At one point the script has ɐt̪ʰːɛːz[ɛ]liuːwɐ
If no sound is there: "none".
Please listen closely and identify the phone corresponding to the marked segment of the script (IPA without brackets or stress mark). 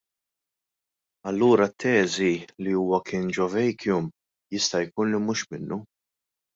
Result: i